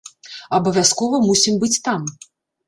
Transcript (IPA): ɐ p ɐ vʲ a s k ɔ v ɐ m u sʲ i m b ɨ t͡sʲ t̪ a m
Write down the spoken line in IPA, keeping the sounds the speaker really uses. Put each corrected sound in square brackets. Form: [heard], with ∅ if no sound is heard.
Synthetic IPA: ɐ [b] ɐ vʲ a s k ɔ v ɐ m u sʲ i m b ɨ t͡sʲ t̪ a m